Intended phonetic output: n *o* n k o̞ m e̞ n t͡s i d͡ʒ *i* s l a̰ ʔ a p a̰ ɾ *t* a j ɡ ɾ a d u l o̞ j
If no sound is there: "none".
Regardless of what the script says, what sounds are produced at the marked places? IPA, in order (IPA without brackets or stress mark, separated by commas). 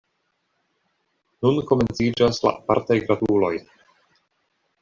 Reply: u, a, t